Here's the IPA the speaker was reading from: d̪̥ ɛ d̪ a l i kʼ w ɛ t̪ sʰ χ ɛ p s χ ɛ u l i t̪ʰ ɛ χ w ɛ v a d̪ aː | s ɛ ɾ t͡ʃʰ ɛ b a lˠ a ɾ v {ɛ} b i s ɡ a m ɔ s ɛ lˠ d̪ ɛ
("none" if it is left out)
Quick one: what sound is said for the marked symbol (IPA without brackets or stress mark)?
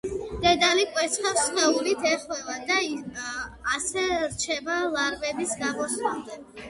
ɛ